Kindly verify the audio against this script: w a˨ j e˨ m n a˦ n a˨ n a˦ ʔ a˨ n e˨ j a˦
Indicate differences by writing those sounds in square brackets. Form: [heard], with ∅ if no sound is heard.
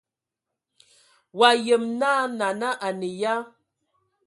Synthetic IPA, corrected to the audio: w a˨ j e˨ m n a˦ n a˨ n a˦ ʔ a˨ n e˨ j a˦